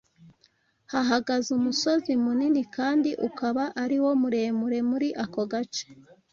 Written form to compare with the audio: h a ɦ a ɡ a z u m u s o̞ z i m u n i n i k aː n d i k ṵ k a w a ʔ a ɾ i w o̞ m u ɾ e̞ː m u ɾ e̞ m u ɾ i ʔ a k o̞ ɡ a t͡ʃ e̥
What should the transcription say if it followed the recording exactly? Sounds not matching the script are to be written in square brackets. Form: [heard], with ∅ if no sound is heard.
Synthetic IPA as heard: h a ɦ a ɡ a z u m u s o̞ z i m u n i n i k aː n d i [ʔ] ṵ k a [β] a ʔ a ɾ i w o̞ m u ɾ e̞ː m u ɾ e̞ m u ɾ i ʔ a k o̞ ɡ a t͡ʃ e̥